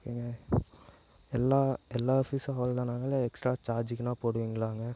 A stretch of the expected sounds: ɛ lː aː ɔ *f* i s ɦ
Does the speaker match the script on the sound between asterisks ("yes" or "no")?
yes